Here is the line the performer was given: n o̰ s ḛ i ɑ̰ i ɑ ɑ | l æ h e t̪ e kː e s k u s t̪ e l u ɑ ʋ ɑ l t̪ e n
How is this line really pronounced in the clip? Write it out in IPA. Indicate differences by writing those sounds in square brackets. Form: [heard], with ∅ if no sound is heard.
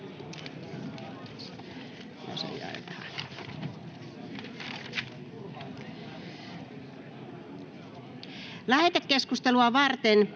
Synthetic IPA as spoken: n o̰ s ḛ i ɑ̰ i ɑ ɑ | l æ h e t̪ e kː e s k u s t̪ e l u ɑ ʋ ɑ [r] t̪ e n